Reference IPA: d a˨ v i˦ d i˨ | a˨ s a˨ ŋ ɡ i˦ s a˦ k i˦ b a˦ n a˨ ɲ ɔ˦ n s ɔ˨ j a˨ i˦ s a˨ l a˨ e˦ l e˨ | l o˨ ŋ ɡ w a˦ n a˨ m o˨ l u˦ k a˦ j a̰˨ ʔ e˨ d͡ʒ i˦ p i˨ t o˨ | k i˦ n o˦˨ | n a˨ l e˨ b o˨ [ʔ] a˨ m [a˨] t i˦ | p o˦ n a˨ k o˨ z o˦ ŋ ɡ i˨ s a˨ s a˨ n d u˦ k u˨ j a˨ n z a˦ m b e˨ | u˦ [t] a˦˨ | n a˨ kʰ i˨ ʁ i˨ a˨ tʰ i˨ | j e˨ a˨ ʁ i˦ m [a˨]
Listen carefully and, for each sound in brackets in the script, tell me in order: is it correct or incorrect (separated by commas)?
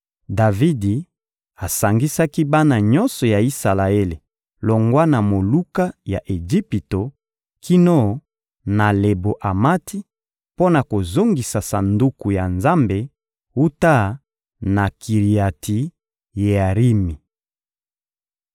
correct, incorrect, correct, incorrect